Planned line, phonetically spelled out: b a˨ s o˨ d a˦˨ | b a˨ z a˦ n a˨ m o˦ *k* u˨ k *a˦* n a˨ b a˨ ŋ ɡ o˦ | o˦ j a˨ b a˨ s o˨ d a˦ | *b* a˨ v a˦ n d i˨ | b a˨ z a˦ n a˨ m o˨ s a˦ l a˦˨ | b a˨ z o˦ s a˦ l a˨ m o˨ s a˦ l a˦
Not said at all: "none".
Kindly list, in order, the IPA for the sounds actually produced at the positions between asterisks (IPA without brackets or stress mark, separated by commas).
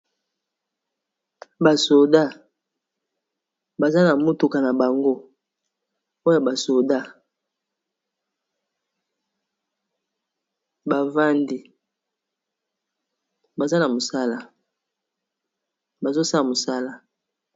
t, a˨, b